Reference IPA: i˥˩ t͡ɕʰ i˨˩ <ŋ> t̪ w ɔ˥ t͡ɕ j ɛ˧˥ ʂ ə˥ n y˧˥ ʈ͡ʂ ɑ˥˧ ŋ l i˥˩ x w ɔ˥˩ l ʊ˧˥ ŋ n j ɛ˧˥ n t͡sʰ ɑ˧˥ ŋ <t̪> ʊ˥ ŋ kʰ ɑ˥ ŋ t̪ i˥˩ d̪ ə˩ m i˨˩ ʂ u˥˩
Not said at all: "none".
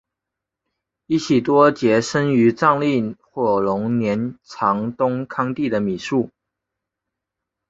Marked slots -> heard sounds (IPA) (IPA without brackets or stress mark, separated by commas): none, t̪